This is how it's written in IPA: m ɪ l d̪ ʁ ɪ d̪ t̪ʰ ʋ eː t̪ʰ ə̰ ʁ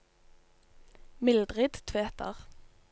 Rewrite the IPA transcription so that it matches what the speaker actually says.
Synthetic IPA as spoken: m ɪ l d̪ ʁ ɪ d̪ t̪ʰ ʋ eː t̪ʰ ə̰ ʁ